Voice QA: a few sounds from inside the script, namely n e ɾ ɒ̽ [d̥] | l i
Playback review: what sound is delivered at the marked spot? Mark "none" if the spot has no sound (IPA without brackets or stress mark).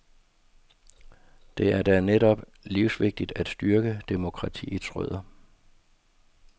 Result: b̥